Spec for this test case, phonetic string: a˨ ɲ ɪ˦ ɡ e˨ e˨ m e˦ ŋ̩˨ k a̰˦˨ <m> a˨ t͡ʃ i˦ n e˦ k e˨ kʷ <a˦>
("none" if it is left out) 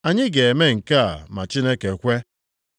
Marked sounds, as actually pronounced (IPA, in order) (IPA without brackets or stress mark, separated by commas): m, e˦